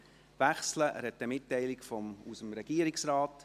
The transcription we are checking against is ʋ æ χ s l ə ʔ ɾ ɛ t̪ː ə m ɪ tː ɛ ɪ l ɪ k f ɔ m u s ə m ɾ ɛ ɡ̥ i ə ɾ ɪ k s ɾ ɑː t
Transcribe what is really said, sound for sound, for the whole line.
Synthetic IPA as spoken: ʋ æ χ s l ə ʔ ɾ ɛ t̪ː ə m ɪ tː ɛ ɪ l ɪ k f ɔ m u s ə m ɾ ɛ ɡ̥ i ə ɾ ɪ k s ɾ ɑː t